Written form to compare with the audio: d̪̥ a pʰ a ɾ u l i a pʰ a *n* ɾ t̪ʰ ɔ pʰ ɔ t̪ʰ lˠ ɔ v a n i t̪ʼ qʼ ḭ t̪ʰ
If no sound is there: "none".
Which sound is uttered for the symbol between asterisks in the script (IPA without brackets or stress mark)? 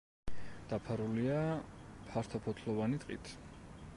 none